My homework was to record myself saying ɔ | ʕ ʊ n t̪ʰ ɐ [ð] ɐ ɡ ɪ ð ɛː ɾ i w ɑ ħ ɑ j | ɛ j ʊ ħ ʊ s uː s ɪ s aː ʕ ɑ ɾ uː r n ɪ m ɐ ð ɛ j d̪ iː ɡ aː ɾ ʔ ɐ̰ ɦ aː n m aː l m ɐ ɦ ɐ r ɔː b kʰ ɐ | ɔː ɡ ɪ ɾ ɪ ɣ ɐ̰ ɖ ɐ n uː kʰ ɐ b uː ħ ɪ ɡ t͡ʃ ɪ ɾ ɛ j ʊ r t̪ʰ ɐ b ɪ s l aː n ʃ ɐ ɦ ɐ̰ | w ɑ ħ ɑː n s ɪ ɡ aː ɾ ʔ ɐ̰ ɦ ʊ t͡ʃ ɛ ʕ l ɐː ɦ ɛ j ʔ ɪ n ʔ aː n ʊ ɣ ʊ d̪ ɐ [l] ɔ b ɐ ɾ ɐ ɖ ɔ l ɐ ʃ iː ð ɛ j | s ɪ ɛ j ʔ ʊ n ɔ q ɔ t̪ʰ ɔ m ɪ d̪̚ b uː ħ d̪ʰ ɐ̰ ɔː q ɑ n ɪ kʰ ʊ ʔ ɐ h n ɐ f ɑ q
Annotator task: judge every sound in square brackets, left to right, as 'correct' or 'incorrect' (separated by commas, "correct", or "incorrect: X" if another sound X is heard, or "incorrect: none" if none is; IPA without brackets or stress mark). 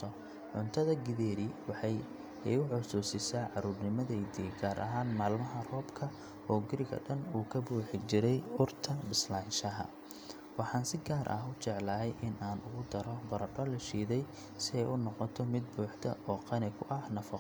correct, incorrect: ɾ